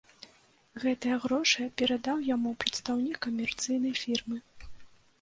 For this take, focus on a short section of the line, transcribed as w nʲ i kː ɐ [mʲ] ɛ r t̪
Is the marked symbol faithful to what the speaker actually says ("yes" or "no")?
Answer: yes